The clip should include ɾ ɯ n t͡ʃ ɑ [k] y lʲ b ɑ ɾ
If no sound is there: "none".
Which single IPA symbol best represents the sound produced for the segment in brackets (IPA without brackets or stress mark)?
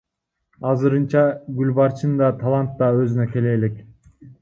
ɡ